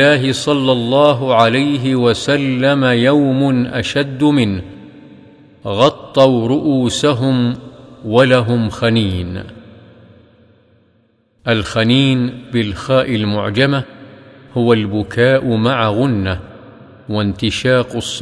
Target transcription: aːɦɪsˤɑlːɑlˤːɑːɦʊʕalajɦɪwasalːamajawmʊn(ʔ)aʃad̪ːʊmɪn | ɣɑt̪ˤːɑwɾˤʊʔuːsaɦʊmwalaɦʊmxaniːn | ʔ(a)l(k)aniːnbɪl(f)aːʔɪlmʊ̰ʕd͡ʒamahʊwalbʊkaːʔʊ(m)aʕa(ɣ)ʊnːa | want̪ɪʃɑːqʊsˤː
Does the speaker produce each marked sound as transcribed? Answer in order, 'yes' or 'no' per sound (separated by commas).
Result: yes, yes, no, no, yes, yes